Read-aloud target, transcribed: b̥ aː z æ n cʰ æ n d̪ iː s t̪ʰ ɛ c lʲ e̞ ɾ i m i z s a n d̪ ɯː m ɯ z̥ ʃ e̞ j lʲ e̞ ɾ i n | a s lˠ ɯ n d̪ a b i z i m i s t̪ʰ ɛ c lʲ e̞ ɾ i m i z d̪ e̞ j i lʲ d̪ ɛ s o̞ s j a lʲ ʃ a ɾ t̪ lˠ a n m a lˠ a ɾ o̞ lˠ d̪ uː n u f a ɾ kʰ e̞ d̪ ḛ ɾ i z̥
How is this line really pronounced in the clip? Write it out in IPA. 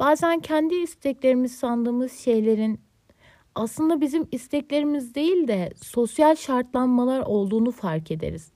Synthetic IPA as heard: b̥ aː z æ n cʰ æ n d̪ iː s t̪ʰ ɛ c lʲ e̞ ɾ i m i z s a n d̪ ɯː m ɯ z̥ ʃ e̞ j lʲ e̞ ɾ i n | a s lˠ ɯ n d̪ a b i z i m i s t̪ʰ ɛ c lʲ e̞ ɾ i m i z d̪ e̞ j i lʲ d̪ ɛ s o̞ s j a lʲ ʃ a ɾ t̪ lˠ a n m a lˠ a ɾ o̞ lˠ d̪ uː n u f a ɾ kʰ e̞ d̪ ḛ ɾ i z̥